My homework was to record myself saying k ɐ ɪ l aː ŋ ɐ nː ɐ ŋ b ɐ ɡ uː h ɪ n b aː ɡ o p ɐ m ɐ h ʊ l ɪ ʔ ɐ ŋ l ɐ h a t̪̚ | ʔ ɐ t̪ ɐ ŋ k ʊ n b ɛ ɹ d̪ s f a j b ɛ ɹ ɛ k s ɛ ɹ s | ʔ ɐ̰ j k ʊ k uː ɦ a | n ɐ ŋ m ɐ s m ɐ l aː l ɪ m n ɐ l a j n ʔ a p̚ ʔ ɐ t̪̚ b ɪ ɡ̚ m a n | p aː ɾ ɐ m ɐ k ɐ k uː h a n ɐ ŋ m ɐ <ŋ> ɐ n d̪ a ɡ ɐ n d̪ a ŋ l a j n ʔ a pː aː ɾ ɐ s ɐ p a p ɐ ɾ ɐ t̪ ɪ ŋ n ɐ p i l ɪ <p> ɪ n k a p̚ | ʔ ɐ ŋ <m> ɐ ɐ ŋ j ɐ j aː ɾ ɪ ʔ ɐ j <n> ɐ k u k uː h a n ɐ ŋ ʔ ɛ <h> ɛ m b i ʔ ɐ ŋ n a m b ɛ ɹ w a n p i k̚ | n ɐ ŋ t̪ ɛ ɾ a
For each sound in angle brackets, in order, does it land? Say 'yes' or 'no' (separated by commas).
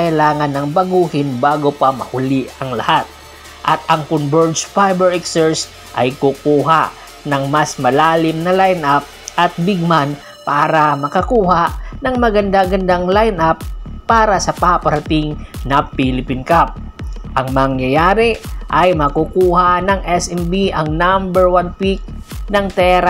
no, yes, yes, no, no